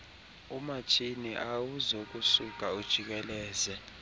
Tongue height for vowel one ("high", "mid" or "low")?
high